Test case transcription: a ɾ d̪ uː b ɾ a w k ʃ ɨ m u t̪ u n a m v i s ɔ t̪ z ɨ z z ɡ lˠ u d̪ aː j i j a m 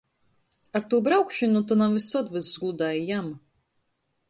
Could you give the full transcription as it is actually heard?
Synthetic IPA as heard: a ɾ t̪ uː b ɾ a w k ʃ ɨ n u t̪ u n a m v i s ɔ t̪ v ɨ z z ɡ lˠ u d̪ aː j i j a m